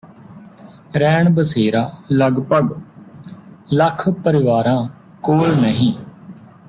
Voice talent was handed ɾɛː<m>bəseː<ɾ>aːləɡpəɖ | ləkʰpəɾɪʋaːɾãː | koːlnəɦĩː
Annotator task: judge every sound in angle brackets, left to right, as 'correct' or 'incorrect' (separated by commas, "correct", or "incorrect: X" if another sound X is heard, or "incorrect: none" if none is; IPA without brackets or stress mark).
incorrect: ɳ, correct